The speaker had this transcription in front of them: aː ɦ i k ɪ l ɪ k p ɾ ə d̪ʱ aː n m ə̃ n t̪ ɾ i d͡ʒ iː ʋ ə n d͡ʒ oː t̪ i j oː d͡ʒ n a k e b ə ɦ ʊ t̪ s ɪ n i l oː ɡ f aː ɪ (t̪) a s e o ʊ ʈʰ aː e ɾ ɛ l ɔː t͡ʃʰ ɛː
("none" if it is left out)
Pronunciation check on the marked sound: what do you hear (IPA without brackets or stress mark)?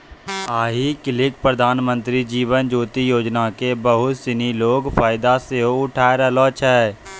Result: d̪